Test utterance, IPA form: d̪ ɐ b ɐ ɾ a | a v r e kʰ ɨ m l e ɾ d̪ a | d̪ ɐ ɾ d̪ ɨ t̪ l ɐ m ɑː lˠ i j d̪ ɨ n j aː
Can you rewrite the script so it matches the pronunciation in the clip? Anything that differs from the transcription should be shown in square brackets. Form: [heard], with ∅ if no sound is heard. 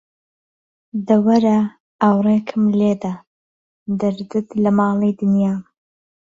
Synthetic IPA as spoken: d̪ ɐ [w] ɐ ɾ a | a [w] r e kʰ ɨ m l e [∅] d̪ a | d̪ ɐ ɾ d̪ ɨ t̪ l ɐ m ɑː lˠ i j d̪ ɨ n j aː